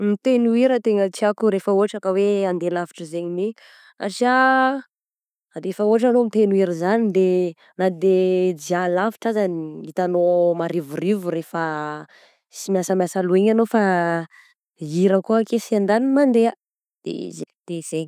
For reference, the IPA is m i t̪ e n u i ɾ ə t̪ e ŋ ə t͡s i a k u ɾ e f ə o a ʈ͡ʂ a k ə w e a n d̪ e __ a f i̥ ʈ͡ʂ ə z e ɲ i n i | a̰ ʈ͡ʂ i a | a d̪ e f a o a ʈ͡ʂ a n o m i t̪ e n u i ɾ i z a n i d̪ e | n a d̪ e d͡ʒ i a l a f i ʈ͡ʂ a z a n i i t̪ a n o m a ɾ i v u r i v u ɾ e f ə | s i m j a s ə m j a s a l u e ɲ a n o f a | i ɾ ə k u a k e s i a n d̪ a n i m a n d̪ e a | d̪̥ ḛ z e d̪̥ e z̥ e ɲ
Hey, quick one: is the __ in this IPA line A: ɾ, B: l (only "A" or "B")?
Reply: B